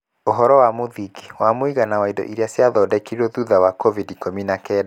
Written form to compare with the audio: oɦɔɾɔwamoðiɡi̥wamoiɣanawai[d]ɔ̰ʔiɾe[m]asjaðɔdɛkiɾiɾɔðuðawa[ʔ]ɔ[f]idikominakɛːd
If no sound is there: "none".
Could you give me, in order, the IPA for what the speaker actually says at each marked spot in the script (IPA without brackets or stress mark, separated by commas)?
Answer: d, none, k, v